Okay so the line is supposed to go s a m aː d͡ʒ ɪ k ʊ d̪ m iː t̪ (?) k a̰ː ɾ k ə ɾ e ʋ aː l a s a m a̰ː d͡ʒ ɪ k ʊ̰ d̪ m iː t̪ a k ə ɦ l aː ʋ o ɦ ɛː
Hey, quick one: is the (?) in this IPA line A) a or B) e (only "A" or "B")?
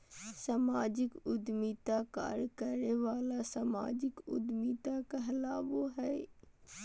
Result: A